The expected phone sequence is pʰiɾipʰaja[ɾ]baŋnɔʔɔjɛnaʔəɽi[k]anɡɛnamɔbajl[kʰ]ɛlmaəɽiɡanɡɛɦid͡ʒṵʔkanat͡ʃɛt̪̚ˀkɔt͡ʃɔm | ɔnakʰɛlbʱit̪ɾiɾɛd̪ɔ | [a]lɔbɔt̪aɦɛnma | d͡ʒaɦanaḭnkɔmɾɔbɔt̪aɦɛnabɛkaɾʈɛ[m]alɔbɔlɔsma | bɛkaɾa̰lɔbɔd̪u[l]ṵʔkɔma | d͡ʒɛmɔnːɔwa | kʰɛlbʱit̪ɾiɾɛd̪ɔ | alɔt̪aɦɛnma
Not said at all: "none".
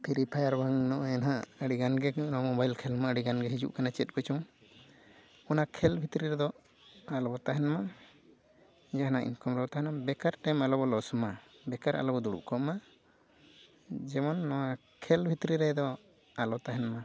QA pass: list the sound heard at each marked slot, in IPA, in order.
ɾ, ɡ, kʰ, a, m, ɽ

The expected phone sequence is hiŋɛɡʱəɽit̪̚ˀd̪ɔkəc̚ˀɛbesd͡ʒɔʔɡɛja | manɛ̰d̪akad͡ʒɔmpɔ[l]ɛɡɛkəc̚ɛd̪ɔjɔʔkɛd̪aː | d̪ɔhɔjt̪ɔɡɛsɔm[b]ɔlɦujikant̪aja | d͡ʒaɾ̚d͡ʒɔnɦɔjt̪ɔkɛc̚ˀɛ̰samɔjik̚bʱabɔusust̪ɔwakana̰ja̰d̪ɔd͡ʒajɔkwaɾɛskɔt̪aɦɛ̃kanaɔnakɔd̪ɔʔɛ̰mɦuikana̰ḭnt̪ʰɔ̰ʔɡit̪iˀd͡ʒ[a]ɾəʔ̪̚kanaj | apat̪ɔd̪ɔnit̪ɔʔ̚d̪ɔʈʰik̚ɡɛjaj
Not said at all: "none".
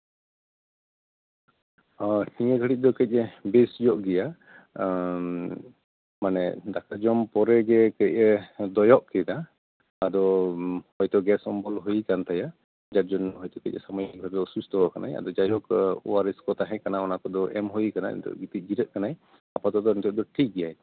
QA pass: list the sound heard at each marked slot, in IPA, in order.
ɾ, b, i

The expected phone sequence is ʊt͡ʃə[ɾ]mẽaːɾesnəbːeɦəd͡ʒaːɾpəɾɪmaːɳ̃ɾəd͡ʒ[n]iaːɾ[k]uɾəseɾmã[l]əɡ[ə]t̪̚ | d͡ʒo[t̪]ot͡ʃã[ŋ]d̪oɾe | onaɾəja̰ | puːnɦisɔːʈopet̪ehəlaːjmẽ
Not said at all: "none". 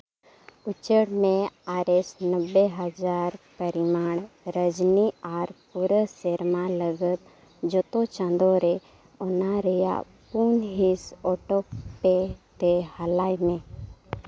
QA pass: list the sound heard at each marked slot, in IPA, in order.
ɽ, n, p, l, ə, t̪, n

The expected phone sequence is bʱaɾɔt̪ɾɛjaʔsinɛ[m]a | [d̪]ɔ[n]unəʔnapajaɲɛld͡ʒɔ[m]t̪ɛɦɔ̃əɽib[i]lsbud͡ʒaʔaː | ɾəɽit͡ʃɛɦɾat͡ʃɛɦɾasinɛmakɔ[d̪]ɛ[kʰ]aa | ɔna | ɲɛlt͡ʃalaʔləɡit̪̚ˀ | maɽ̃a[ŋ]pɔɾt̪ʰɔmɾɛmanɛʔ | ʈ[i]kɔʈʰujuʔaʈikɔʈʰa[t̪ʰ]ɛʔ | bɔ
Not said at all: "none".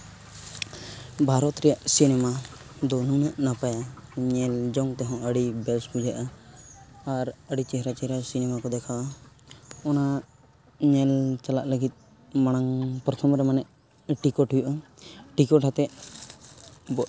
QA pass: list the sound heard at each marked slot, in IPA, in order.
m, d̪, n, ŋ, ɛ, d̪, kʰ, ŋ, i, t̪

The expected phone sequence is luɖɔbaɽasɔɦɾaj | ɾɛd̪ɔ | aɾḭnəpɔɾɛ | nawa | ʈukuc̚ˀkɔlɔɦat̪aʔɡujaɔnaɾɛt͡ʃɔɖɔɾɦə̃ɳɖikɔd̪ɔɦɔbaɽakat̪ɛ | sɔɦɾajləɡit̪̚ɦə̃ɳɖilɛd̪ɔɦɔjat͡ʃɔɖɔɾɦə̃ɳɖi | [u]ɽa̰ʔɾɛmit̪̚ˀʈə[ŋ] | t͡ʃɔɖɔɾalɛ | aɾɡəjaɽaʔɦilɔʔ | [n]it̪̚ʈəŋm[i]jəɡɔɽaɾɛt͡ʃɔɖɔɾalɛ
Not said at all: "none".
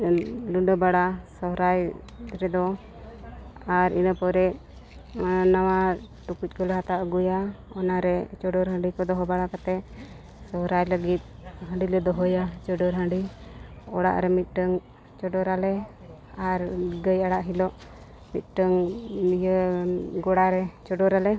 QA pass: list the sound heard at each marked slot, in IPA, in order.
ɔ, ŋ, m, i

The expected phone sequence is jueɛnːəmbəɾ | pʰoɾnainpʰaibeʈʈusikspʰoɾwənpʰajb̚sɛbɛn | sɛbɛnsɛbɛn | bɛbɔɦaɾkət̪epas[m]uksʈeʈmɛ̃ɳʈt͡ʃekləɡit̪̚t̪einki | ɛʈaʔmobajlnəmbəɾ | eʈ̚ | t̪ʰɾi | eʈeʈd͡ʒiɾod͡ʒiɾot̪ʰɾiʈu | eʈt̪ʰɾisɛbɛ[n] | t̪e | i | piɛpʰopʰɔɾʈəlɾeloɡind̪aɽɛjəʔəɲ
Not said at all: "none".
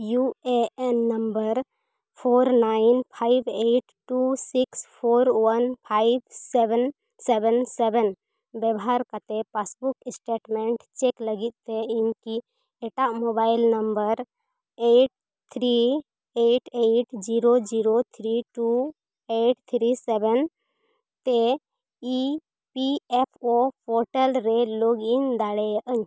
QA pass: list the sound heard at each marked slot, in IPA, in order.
b, n

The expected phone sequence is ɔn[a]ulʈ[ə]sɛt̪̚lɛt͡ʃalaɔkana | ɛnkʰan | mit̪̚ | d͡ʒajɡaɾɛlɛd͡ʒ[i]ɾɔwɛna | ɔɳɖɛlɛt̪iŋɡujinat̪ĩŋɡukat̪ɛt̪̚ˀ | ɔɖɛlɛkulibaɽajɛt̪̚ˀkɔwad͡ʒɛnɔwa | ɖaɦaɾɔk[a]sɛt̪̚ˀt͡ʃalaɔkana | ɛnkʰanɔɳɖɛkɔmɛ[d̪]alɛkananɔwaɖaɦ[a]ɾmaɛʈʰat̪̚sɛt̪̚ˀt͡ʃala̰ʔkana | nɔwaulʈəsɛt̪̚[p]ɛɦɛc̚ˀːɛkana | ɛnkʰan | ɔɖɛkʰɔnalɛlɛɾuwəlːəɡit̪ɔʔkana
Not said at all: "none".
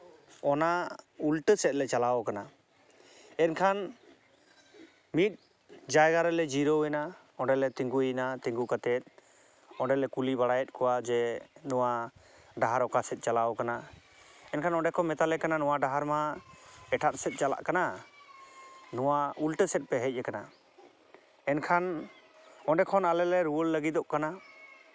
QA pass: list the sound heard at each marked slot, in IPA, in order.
a, ə, i, a, t̪, a, p

